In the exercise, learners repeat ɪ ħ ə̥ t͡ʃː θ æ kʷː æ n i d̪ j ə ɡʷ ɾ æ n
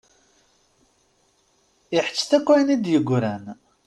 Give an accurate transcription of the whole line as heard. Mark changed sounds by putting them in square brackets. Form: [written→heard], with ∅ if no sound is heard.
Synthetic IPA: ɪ ħ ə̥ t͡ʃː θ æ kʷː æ n i d̪ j ə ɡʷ ɾ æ n